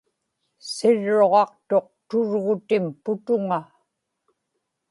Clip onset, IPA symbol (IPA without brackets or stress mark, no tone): s